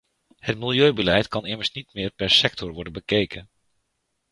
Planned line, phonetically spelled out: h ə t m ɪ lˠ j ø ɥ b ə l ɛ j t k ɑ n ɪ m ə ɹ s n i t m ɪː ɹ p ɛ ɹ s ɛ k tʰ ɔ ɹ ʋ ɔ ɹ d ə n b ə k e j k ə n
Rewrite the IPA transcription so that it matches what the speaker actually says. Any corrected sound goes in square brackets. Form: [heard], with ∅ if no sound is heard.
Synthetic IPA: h ə t m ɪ lˠ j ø ɥ b ə l ɛ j t k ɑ n ɪ m ə ɹ s n i t m ɪː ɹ p ɛ ɹ s ɛ k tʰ ɔ ɹ ʋ ɔ ɹ d ə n b ə k e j k ə n

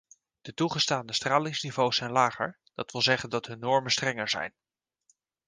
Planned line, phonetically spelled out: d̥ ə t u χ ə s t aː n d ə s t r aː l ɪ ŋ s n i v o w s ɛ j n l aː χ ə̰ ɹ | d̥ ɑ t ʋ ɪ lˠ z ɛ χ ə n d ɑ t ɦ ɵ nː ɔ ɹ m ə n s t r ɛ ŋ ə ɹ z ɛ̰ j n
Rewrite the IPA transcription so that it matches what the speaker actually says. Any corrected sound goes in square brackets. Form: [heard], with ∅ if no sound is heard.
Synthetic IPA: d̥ ə t u χ ə s t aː n d ə s t r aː l ɪ ŋ s n i v o w s ɛ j n l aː χ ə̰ ɹ | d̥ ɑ t ʋ ɪ lˠ z ɛ χ ə n d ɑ t ɦ ɵ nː ɔ ɹ m ə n s t r ɛ ŋ ə ɹ z ɛ̰ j n

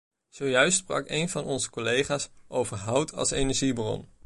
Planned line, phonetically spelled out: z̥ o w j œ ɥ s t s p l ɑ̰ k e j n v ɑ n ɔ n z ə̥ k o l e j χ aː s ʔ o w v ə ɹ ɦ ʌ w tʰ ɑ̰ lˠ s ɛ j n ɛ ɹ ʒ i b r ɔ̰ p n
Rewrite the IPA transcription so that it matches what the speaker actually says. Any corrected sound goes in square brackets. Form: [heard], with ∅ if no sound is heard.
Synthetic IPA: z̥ o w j œ ɥ s t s p [r] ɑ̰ k e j n v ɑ n ɔ n z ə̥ k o l e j χ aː s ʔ o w v ə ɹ ɦ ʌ w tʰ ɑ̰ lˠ s [e] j n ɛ ɹ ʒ i b r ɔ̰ [∅] n

